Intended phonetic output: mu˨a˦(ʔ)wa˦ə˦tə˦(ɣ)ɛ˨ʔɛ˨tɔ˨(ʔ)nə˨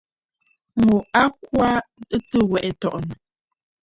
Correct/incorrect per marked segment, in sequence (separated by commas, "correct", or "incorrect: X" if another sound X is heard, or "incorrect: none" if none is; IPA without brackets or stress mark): incorrect: k, incorrect: w, correct